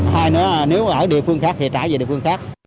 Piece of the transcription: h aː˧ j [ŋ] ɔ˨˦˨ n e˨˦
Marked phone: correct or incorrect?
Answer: incorrect